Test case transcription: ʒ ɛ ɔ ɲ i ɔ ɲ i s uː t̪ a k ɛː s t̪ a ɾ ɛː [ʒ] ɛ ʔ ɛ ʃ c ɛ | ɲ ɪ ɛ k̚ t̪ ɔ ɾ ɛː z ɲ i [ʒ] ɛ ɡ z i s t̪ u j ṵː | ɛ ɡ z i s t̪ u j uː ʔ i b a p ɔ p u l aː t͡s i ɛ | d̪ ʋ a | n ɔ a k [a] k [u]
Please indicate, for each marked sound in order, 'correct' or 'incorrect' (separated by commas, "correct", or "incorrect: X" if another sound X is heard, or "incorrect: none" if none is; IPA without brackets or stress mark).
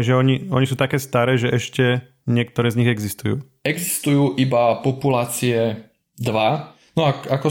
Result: correct, incorrect: ɣ, correct, incorrect: ɔ